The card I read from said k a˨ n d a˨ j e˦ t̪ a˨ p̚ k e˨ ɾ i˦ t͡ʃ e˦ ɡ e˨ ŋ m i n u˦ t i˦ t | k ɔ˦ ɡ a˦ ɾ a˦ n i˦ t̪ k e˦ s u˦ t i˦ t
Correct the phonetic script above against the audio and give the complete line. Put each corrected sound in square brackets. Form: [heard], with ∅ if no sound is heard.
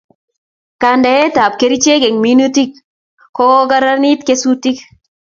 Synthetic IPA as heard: k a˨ n d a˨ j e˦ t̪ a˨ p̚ k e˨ ɾ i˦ t͡ʃ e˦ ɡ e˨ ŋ m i n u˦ t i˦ [k] | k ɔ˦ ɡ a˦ ɾ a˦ n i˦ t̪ k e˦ s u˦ t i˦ [k]